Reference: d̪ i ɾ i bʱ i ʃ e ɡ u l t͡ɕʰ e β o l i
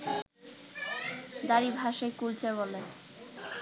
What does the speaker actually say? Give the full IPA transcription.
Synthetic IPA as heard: d̪ a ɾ i bʱ a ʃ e k u l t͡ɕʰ e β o l e